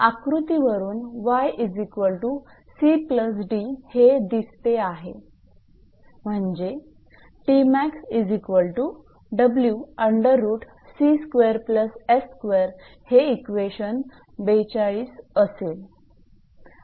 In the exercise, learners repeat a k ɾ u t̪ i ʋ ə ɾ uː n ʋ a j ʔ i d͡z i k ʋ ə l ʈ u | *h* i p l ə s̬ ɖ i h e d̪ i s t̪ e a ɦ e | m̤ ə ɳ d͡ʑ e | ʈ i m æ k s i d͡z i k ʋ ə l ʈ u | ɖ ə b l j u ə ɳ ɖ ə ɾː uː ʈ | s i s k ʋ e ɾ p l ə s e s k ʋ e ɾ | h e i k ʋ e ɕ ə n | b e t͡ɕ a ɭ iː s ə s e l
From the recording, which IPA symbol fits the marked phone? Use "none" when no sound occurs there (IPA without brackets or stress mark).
s